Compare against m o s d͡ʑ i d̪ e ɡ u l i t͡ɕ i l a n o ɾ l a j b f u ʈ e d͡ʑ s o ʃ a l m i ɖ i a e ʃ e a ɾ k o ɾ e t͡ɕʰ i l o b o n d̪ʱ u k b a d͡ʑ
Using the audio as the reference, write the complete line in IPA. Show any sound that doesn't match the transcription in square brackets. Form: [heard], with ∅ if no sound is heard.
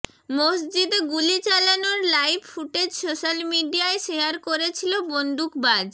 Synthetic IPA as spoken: m o s d͡ʑ i d̪ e ɡ u l i t͡ɕ [a] l a n o ɾ l a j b f u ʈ e d͡ʑ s o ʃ a l m i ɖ i a e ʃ e a ɾ k o ɾ e t͡ɕʰ i l o b o n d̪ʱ u k b a d͡ʑ